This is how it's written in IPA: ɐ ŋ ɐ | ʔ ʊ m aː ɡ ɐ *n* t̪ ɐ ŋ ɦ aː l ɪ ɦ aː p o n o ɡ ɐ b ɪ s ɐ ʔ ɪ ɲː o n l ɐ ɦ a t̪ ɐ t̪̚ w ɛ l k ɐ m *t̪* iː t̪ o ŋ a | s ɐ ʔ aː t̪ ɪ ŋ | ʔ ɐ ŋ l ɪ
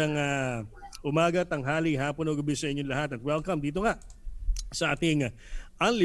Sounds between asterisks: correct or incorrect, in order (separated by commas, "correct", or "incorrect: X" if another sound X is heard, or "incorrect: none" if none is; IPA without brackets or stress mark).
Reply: incorrect: none, incorrect: d̪